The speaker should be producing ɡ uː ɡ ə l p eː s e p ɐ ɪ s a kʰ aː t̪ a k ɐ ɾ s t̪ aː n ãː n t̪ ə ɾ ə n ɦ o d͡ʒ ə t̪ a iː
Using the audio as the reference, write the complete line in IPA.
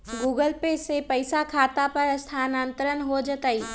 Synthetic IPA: ɡ uː ɡ ə l p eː s e p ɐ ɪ s a kʰ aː t̪ a p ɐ ɾ s t̪ʰ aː n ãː n t̪ ə ɾ ə n ɦ o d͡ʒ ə t̪ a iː